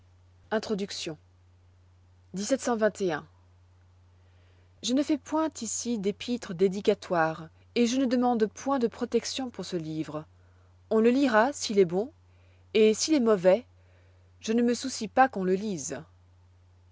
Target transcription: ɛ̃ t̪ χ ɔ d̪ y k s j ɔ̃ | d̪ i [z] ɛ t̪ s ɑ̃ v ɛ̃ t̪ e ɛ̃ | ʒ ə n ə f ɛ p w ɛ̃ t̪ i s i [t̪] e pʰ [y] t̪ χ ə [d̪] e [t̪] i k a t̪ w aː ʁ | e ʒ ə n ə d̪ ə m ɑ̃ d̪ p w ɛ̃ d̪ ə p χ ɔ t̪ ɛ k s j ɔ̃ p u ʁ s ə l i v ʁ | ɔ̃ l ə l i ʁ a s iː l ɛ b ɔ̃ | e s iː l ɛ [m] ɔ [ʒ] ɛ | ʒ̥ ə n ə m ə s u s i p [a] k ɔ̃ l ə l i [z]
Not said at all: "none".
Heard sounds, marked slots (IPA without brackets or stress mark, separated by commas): s, d̪, i, d̪, d̪, m, v, a, z